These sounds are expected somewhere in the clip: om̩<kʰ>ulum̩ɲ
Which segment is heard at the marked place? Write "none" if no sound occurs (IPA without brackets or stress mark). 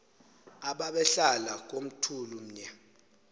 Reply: tʰ